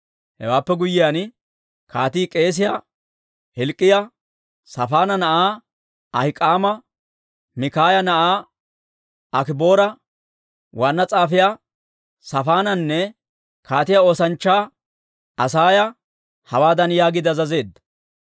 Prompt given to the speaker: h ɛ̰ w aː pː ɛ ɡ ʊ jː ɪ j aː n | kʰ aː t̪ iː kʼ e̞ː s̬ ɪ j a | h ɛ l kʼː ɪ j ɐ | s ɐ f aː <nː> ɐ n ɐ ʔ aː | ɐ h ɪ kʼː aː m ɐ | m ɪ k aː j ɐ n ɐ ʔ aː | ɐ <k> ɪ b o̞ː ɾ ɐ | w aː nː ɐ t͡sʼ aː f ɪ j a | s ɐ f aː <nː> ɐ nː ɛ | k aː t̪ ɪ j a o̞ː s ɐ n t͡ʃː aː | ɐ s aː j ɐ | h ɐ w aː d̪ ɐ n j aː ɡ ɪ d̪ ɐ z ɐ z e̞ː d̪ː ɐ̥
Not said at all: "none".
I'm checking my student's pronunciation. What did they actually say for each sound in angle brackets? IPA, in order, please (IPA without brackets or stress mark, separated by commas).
n, k, n